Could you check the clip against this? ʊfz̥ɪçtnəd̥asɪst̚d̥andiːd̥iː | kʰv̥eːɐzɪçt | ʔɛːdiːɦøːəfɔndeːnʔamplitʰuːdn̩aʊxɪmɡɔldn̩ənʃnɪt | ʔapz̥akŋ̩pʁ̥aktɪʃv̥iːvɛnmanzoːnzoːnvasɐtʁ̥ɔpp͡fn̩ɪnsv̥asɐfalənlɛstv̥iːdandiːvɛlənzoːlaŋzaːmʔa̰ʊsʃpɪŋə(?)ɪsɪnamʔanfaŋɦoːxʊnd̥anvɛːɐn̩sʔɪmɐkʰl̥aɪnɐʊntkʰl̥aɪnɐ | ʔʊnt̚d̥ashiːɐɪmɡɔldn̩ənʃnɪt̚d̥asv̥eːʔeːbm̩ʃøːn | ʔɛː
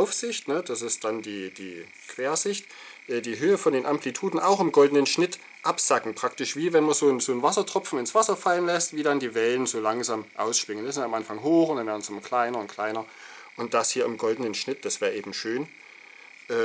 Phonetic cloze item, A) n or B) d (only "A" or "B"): A